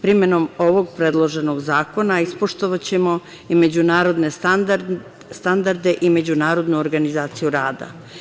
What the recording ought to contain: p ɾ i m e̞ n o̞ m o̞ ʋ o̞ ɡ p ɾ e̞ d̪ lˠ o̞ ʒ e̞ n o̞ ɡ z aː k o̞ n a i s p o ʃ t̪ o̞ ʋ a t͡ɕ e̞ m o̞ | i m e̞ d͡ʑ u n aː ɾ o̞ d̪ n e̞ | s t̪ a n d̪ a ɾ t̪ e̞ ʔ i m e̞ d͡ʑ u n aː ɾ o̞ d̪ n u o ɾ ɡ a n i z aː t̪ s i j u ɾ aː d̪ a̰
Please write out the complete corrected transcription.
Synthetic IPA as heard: p ɾ i m e̞ n o̞ m o̞ ʋ o̞ ɡ p ɾ e̞ d̪ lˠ o̞ ʒ e̞ n o̞ ɡ z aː k o̞ n a i s p o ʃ t̪ o̞ ʋ a t͡ɕ e̞ m o̞ | i m e̞ d͡ʑ u n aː ɾ o̞ d̪ n e̞ | s t̪ a n d̪ a ɾ d̪ e̞ ʔ i m e̞ d͡ʑ u n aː ɾ o̞ d̪ n u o ɾ ɡ a n i z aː t̪ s i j u ɾ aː d̪ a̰